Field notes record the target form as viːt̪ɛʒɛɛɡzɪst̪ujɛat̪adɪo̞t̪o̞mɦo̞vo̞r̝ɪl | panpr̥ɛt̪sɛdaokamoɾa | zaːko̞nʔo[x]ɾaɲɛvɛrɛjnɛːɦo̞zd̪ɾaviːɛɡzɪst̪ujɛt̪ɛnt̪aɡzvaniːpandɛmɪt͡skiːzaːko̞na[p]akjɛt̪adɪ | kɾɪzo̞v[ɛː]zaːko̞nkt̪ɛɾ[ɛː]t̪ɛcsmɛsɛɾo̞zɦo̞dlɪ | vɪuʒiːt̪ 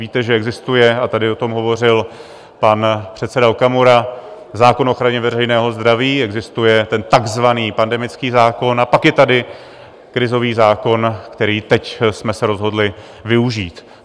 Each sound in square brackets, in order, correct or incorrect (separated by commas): correct, correct, incorrect, incorrect